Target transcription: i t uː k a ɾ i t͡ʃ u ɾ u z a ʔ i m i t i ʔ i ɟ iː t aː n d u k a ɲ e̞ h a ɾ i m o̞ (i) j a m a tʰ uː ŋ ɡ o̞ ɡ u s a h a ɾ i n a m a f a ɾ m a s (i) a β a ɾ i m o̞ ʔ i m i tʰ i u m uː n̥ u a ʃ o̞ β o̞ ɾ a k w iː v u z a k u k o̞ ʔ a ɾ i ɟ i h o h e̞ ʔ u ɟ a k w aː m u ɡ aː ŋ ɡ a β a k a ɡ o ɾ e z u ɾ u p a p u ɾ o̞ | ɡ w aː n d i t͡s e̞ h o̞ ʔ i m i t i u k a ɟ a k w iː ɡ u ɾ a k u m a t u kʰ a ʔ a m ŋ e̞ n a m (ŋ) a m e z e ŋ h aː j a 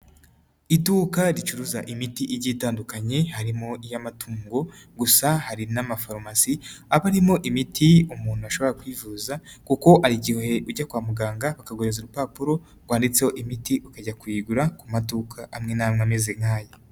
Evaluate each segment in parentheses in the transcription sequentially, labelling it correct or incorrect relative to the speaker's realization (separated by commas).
correct, correct, correct